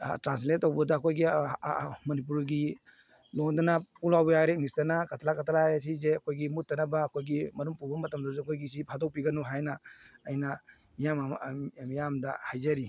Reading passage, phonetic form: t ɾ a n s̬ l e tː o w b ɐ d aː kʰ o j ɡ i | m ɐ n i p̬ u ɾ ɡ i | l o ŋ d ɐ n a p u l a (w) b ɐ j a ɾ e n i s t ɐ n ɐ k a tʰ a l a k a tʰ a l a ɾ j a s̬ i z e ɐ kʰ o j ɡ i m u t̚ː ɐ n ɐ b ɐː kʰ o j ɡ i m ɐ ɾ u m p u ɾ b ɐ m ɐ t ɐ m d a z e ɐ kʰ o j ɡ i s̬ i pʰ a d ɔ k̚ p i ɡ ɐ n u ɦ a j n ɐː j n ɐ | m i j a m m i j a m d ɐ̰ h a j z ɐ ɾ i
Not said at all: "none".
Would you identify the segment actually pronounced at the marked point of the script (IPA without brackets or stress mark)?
w